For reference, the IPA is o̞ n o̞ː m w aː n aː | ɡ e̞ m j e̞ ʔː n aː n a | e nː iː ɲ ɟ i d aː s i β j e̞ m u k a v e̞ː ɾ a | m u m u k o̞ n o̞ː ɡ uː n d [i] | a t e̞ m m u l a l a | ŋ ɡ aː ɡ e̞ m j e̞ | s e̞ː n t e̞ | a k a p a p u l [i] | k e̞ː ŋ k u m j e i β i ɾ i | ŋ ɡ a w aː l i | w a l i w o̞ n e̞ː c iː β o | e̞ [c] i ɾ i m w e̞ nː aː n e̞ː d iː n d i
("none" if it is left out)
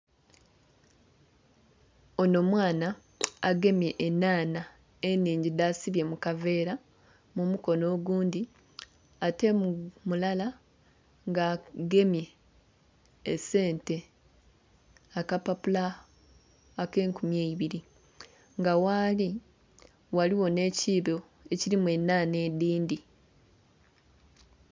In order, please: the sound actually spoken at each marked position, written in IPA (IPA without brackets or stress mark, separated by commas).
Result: i, a, c